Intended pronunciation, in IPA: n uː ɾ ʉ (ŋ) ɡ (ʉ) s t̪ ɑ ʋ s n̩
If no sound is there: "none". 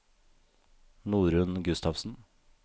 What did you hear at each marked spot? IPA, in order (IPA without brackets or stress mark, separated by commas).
n, ʉ